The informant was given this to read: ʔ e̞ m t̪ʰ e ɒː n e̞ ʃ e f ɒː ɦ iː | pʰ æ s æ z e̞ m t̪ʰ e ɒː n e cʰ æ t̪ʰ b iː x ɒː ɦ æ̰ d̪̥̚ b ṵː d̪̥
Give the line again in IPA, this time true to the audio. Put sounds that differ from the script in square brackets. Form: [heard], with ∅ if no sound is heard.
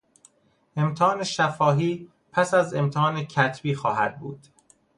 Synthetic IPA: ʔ e̞ m t̪ʰ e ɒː n e̞ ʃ [æ] f ɒː ɦ iː | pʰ æ s æ z e̞ m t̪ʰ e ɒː n e cʰ æ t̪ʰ b iː x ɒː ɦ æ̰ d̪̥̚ b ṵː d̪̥